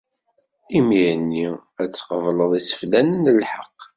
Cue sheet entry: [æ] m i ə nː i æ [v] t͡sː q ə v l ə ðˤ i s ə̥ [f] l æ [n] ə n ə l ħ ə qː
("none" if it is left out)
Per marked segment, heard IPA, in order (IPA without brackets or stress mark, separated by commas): i, none, f, n